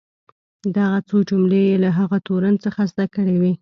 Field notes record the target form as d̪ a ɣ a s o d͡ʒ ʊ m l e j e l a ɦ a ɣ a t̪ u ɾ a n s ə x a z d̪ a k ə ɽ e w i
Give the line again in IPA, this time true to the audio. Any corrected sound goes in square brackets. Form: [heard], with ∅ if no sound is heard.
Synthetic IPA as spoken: d̪ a ɣ a [t͡s] o d͡ʒ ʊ m l e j e l a ɦ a ɣ a t̪ [o] ɾ a n [t͡s] ə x a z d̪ a k ə ɽ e w i